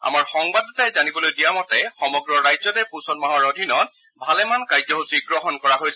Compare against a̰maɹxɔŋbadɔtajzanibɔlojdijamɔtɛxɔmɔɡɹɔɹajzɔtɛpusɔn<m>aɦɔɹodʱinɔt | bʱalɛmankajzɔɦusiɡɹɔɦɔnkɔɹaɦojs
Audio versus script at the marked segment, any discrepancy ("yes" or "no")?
no